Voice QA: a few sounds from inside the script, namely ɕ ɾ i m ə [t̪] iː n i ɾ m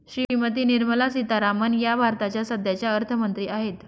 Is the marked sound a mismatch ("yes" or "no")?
no